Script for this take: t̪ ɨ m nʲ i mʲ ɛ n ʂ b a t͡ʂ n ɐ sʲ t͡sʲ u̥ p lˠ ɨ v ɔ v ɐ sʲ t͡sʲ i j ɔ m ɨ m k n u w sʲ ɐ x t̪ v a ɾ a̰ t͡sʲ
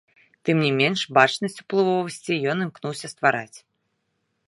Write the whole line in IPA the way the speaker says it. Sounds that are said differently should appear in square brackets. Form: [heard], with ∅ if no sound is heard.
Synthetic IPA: t̪ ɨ m nʲ i mʲ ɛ n ʂ b a t͡ʂ n ɐ sʲ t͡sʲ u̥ p lˠ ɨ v ɔ v ɐ sʲ t͡sʲ i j ɔ [n] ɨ m k n u w sʲ ɐ [s] t̪ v a ɾ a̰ t͡sʲ